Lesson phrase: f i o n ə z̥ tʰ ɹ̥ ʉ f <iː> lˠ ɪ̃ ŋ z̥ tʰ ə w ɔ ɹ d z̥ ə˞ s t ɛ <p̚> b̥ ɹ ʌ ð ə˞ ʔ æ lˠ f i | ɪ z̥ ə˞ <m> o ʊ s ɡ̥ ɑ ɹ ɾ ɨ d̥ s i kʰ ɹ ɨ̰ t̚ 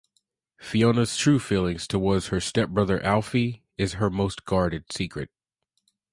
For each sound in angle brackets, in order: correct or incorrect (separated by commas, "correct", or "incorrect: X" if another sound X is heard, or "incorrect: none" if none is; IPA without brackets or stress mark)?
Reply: incorrect: i, correct, correct